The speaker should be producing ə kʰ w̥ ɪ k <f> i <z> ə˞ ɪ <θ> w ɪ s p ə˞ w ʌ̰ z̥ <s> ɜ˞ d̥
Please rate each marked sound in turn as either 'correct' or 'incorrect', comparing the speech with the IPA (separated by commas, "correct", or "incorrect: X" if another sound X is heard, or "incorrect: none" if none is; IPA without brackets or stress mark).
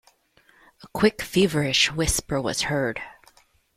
correct, incorrect: v, incorrect: ʃ, incorrect: h